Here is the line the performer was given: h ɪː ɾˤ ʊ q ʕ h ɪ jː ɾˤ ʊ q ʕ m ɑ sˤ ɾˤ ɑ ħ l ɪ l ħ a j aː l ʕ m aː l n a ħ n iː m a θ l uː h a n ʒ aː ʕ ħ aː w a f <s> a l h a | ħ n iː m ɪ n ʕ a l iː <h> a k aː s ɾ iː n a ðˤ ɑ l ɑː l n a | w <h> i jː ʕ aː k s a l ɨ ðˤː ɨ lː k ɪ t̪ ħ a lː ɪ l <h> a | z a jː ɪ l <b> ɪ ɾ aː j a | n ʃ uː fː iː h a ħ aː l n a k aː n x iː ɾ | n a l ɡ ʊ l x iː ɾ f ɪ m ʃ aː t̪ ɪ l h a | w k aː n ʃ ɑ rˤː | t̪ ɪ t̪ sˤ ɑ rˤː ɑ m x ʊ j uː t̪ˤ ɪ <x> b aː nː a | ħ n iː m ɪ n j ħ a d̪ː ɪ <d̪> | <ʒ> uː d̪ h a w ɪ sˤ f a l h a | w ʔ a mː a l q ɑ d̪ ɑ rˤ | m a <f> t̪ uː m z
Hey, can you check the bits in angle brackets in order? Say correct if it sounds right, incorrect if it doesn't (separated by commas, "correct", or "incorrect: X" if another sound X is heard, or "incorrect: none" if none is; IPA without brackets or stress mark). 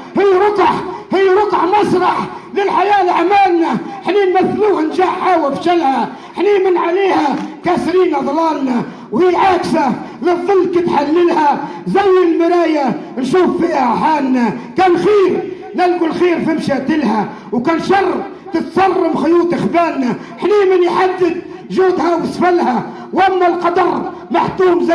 incorrect: ʃ, correct, correct, correct, incorrect: m, correct, correct, correct, incorrect: ħ